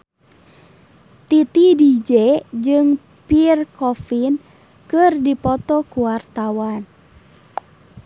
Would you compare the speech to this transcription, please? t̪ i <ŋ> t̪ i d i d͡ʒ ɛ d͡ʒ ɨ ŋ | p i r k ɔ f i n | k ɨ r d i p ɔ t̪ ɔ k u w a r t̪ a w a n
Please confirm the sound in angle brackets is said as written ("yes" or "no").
no